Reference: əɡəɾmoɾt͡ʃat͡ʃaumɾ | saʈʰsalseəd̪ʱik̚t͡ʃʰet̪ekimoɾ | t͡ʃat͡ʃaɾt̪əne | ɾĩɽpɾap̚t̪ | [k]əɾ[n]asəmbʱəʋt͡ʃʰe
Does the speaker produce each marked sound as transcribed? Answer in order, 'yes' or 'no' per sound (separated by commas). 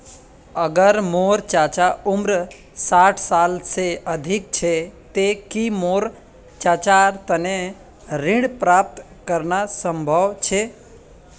yes, yes